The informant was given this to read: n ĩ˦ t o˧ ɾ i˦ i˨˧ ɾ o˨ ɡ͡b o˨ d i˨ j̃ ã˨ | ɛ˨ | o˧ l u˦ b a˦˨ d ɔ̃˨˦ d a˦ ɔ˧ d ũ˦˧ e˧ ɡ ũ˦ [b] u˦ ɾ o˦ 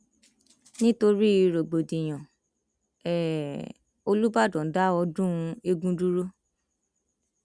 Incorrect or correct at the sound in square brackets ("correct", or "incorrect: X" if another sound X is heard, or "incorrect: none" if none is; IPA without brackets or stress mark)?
incorrect: d